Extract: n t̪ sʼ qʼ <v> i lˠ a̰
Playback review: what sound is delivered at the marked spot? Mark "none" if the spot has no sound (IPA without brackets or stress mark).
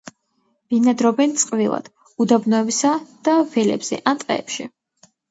v